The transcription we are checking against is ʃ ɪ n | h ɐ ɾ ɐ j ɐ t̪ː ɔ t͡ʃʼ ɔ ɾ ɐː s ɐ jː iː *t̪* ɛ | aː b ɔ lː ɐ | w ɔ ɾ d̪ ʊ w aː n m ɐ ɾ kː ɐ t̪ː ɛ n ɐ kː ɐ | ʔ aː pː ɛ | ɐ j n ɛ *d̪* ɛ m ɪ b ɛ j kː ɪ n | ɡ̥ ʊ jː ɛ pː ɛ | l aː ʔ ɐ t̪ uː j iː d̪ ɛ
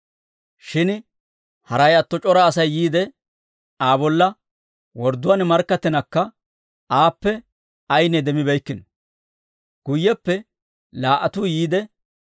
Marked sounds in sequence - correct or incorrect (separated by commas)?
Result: incorrect, correct